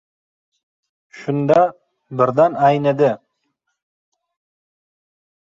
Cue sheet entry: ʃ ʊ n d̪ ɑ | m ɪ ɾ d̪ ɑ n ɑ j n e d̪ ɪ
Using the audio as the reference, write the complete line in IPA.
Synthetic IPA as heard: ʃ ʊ n d̪ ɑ | b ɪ ɾ d̪ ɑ n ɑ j n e d̪ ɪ